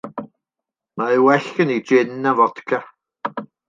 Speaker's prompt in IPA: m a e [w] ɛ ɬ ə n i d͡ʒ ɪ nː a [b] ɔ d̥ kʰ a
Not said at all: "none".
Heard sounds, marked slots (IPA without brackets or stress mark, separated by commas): w, v